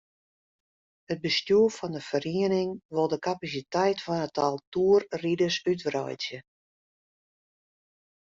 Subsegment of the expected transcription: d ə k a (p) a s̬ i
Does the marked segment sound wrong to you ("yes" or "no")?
no